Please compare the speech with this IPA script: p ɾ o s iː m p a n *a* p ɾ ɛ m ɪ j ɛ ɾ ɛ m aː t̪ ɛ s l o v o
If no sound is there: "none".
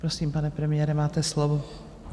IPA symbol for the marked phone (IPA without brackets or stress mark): ɛ